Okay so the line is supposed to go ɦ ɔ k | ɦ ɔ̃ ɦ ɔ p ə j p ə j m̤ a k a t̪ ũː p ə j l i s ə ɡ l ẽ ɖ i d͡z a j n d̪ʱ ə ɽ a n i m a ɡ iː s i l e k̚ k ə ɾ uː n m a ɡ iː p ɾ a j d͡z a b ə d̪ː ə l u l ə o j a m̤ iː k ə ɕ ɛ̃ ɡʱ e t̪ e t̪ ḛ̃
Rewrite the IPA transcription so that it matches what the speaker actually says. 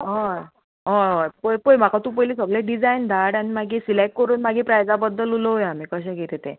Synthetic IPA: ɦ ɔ | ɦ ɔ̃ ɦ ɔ p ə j p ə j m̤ a k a t̪ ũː p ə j l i s ə ɡ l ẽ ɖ i d͡z a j n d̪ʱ a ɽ a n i m a ɡ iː s i l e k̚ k ə ɾ uː n m a ɡ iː p ɾ a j d͡z a b ə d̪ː ə l u l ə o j a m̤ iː k ə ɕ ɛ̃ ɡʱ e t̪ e t̪ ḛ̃